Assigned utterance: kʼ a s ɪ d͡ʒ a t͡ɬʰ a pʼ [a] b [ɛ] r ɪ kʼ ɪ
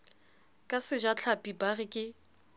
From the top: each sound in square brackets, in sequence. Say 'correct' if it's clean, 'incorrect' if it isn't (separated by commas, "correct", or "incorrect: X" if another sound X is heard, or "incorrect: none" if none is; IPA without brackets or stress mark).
incorrect: i, incorrect: a